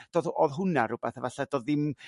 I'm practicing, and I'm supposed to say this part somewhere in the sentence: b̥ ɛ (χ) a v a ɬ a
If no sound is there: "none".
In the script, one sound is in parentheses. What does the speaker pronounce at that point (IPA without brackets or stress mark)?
θ